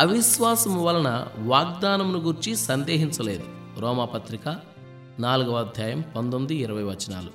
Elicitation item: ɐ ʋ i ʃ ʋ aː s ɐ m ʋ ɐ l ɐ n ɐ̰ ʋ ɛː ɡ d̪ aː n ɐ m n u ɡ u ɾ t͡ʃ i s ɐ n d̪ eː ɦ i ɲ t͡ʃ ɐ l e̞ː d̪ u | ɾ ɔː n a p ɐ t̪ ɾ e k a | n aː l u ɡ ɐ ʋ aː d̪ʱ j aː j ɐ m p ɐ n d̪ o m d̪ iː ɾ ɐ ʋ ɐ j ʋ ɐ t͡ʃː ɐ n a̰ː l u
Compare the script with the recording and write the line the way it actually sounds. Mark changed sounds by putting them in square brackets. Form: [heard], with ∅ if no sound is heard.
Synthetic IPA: ɐ ʋ i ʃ ʋ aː s ɐ m ʋ ɐ l ɐ n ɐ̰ ʋ [aː] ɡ d̪ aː n ɐ m n u ɡ u ɾ t͡ʃ i s ɐ n d̪ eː ɦ i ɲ t͡ʃ ɐ l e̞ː d̪ u | ɾ ɔː [m] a p ɐ t̪ ɾ [i] k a | n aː l u ɡ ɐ ʋ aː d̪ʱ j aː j ɐ m p ɐ n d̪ o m d̪ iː ɾ ɐ ʋ ɐ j ʋ ɐ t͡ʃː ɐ n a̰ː l u